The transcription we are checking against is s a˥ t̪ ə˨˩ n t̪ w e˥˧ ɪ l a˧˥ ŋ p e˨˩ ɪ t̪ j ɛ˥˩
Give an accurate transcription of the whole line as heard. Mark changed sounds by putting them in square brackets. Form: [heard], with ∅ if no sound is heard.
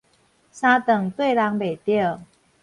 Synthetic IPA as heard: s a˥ t̪ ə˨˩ [ŋ] t̪ w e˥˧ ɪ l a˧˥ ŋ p e˨˩ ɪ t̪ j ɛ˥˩